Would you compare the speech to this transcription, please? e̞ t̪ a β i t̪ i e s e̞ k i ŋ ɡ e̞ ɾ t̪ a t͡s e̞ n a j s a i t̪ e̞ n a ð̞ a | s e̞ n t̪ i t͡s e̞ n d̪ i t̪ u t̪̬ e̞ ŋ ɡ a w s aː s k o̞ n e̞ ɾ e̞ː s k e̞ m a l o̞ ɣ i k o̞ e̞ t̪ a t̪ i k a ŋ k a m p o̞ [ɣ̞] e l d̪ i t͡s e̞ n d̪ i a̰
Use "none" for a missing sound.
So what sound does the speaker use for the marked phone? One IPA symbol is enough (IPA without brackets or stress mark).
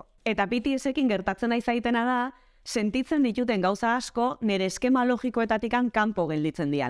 ɣ̞